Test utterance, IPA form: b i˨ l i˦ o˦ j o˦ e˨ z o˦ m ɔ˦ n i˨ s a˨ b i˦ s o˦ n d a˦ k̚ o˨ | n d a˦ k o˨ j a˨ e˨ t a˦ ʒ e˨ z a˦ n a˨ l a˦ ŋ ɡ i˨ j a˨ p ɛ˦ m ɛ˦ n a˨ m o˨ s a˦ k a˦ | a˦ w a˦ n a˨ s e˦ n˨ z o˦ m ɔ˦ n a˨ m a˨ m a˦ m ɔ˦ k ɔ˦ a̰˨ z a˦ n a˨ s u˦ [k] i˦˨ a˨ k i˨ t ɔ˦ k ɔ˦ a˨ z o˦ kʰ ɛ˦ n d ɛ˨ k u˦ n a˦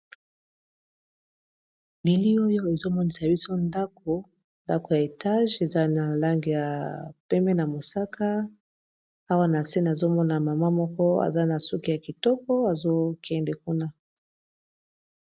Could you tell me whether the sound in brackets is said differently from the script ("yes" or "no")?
no